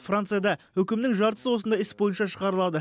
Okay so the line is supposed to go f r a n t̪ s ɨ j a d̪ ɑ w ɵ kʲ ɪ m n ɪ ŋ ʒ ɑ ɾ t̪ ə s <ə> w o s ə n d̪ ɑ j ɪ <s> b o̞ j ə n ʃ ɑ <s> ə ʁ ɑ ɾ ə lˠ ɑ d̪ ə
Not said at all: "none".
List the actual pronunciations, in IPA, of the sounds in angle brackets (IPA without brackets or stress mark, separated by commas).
ə, s, ʃ